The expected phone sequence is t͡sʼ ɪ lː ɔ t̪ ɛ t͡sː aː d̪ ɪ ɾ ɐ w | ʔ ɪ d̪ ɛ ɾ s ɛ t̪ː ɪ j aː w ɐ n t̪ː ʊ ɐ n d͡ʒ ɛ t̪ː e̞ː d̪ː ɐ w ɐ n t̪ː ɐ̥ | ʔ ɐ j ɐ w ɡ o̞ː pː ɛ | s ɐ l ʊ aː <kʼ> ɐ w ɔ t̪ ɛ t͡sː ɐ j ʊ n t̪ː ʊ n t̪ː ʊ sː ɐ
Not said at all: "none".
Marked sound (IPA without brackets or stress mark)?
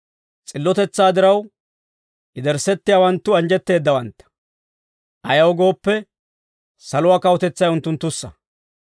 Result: k